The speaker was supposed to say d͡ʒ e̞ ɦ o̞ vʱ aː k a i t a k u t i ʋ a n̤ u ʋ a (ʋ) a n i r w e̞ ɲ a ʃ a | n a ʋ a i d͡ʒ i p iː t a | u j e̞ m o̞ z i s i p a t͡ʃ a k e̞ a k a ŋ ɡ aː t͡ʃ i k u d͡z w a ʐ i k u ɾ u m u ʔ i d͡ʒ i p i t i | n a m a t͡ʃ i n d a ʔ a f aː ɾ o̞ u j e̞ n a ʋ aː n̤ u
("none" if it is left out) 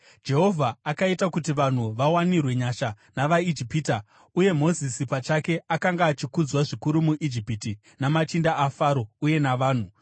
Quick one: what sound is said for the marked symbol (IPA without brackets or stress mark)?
w